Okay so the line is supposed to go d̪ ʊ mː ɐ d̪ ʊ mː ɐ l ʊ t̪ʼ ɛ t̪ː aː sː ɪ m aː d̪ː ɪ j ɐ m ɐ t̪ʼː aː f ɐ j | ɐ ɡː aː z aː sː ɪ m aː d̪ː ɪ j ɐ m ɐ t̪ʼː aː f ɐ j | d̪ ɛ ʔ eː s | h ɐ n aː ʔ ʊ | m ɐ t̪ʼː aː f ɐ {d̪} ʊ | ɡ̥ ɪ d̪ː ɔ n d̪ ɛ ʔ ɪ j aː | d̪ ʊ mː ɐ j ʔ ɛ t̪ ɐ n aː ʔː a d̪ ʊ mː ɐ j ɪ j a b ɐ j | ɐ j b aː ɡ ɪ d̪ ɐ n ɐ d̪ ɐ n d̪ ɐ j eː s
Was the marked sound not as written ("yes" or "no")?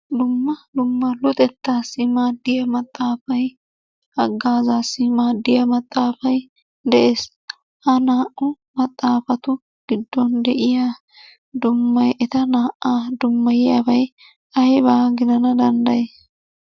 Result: yes